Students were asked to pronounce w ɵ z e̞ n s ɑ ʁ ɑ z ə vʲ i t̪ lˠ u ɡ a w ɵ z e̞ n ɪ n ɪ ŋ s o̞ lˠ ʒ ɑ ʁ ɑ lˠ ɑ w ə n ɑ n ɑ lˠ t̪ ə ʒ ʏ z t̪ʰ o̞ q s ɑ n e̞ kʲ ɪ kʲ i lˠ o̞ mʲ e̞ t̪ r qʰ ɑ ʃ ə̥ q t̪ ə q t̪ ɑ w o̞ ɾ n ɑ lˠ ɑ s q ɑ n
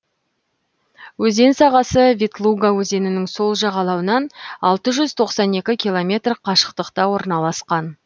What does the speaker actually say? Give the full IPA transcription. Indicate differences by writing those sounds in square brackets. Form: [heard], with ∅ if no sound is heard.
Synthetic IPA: w ɵ z e̞ n s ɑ ʁ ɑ [s] ə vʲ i t̪ lˠ u ɡ a w ɵ z e̞ n ɪ n ɪ ŋ s o̞ lˠ ʒ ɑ ʁ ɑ lˠ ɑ w ə n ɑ n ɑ lˠ t̪ ə ʒ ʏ z t̪ʰ o̞ q s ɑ n e̞ kʲ ɪ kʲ i lˠ o̞ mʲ e̞ t̪ r qʰ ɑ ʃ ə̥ q t̪ ə q t̪ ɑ w o̞ ɾ n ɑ lˠ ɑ s q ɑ n

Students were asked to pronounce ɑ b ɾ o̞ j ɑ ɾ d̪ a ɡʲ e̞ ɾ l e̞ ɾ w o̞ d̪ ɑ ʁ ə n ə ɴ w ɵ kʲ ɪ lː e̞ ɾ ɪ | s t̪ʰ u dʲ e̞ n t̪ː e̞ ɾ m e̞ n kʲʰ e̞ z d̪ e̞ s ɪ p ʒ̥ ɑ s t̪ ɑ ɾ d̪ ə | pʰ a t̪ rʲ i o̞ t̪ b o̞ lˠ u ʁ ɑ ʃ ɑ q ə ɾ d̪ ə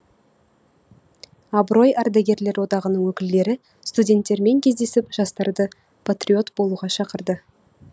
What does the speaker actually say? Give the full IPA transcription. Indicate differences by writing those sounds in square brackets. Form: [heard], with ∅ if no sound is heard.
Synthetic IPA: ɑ b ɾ o̞ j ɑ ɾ d̪ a ɡʲ e̞ ɾ l e̞ ɾ w o̞ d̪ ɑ ʁ ə n ə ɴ w ɵ kʲ ɪ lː e̞ ɾ ɪ | s [t̪] u dʲ e̞ n t̪ː e̞ ɾ m e̞ [ŋ] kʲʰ e̞ z d̪ e̞ s ɪ p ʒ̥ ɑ s t̪ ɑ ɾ d̪ ə | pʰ a t̪ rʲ i o̞ t̪ b o̞ lˠ u ʁ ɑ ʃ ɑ q ə ɾ d̪ ə

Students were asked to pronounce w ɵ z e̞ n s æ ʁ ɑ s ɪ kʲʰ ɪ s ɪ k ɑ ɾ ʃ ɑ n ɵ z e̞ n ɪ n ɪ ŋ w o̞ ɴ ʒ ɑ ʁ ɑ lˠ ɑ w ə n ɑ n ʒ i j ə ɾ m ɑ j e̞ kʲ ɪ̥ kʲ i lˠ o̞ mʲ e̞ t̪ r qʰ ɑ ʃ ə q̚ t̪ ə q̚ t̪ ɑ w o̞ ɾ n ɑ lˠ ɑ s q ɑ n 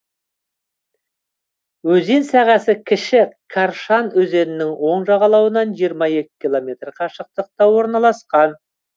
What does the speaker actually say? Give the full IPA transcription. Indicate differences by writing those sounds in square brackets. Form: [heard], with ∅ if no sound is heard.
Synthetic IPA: w ɵ z e̞ n s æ ʁ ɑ s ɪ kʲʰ ɪ [ʃ] ɪ [kʰ] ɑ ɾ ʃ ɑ n ɵ z e̞ n ɪ n ɪ ŋ w o̞ ɴ ʒ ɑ ʁ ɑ lˠ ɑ w ə n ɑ n ʒ i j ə ɾ m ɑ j e̞ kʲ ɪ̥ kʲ i lˠ o̞ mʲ e̞ t̪ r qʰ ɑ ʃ ə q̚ t̪ ə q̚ t̪ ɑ w o̞ ɾ n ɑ lˠ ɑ s q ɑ n

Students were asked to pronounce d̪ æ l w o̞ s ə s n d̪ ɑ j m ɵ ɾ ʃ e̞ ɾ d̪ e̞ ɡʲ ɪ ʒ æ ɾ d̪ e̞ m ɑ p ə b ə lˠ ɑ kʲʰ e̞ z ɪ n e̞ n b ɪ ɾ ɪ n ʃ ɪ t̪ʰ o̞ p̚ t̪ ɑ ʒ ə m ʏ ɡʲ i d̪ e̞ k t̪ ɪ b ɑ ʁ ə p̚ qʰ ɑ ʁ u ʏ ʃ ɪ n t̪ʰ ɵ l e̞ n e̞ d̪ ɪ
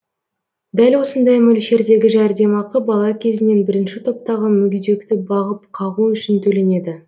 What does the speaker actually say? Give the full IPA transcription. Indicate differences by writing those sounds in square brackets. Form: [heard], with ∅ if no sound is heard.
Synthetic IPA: d̪ æ l w o̞ s ə [∅] n d̪ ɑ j m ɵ [l] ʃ e̞ ɾ d̪ e̞ ɡʲ ɪ ʒ æ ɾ d̪ e̞ m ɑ [q] ə b [ɑ] lˠ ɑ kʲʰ e̞ z ɪ n e̞ n b ɪ ɾ ɪ n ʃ ɪ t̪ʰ o̞ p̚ t̪ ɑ [ʁ] ə m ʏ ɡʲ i d̪ e̞ k t̪ ɪ b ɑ ʁ ə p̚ qʰ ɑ ʁ u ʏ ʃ ɪ n t̪ʰ ɵ l e̞ n e̞ d̪ ɪ

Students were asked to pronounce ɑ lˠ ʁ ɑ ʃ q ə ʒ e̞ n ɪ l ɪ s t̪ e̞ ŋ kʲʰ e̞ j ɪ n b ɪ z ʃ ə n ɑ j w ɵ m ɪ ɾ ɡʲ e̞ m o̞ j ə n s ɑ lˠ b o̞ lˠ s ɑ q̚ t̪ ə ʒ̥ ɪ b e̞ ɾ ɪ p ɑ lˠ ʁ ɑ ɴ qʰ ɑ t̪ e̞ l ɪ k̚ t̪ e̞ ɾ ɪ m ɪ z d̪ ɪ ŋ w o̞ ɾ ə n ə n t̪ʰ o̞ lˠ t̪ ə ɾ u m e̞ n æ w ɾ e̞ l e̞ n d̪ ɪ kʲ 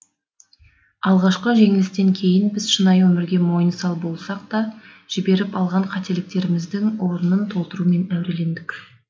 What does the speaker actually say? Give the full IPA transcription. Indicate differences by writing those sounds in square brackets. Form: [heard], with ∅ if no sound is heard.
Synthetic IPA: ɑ lˠ ʁ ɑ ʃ q ə ʒ e̞ [ŋ] ɪ l ɪ s t̪ e̞ ŋ kʲʰ e̞ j ɪ n b ɪ z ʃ ə n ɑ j w ɵ m ɪ ɾ ɡʲ e̞ m o̞ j ə n s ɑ lˠ b o̞ lˠ s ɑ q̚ t̪ [ɑ] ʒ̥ ɪ b e̞ ɾ ɪ p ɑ lˠ ʁ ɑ ɴ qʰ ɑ t̪ e̞ l ɪ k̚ t̪ e̞ ɾ ɪ m ɪ z d̪ ɪ ŋ w o̞ ɾ ə n ə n t̪ʰ o̞ lˠ t̪ ə ɾ u m e̞ n æ w ɾ e̞ l e̞ n d̪ ɪ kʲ

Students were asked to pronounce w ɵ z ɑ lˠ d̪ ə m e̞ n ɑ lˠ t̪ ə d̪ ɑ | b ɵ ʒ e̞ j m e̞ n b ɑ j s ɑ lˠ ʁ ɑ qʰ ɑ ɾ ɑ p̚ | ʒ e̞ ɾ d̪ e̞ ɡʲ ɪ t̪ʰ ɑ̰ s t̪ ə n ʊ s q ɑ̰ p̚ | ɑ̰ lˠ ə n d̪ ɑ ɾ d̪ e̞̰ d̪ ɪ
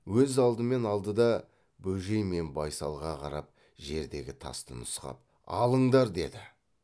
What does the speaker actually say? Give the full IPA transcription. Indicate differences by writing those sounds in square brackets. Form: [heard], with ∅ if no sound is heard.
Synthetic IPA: w ɵ z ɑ lˠ d̪ ə m e̞ n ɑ lˠ [d̪] ə d̪ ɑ | b ɵ ʒ e̞ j m e̞ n b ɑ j s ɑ lˠ ʁ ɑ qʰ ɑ ɾ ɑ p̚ | ʒ e̞ ɾ d̪ e̞ ɡʲ ɪ t̪ʰ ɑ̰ s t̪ ə n ʊ s q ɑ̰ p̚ | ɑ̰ lˠ ə [ɴ] d̪ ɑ ɾ d̪ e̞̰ d̪ ɪ

